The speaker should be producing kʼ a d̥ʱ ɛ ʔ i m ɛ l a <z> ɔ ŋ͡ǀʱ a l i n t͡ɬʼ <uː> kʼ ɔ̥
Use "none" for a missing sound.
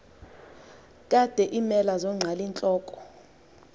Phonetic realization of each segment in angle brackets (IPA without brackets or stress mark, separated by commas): z, ɔː